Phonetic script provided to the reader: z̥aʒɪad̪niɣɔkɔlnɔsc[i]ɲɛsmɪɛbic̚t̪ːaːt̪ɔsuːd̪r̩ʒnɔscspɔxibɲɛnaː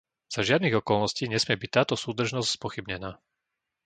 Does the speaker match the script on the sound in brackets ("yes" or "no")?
no